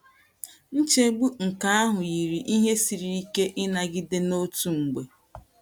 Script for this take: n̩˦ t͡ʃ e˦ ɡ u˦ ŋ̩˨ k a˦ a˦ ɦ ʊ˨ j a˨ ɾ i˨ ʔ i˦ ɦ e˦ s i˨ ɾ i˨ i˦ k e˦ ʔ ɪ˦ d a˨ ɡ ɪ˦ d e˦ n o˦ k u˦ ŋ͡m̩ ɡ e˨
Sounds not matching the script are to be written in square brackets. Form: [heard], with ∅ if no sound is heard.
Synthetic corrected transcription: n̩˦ t͡ʃ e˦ [ɡ͡b] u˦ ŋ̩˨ k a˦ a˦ ɦ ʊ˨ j [i˨] ɾ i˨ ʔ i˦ ɦ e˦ s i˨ ɾ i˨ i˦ k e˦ ʔ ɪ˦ [n] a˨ ɡ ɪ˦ d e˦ n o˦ [t] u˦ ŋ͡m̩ [ɡ͡b] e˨